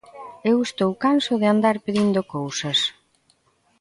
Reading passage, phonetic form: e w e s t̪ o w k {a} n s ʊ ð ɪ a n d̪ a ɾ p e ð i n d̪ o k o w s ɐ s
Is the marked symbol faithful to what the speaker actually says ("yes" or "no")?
yes